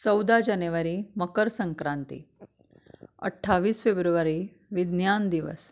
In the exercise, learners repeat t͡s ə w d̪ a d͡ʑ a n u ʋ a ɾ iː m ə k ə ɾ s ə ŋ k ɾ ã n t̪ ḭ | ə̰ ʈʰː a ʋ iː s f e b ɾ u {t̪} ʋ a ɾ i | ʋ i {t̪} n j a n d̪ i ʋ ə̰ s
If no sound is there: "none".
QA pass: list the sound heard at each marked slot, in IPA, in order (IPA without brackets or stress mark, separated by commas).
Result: none, d̪